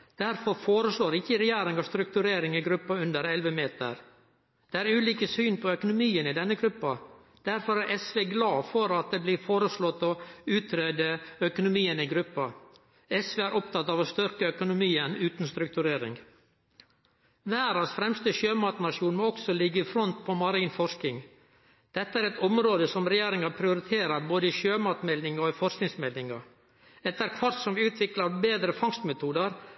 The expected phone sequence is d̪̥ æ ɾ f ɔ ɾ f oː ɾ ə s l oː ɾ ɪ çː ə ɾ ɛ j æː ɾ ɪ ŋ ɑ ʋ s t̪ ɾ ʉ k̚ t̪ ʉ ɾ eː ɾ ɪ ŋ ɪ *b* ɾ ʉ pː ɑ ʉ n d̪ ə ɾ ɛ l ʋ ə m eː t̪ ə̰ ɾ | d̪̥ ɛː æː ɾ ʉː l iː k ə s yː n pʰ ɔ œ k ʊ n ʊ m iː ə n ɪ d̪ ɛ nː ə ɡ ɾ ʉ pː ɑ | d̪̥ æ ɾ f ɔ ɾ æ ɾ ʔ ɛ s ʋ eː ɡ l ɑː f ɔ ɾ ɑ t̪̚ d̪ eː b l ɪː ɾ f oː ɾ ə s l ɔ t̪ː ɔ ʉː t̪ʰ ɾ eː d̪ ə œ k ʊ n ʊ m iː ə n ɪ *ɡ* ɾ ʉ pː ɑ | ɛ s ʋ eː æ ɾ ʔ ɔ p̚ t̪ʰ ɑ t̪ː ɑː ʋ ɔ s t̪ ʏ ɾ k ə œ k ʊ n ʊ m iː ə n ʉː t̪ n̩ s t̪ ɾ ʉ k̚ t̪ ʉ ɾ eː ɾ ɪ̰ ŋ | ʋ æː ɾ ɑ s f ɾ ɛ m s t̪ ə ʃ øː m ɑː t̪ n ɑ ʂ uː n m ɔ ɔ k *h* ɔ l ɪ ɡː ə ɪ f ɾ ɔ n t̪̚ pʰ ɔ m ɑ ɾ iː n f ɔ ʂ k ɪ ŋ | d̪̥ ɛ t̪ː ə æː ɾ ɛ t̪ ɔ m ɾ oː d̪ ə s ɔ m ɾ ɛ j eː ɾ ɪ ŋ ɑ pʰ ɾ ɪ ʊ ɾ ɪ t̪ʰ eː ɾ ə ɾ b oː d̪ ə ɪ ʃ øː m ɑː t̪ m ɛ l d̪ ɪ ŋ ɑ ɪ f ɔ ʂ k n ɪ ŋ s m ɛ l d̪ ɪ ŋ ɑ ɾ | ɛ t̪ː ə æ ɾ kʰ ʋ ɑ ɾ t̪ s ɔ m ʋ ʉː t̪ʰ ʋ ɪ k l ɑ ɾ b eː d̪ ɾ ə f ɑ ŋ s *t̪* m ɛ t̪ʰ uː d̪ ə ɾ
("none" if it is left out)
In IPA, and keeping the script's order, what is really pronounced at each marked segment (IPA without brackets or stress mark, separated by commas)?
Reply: ɡ, ɡ, s, t̪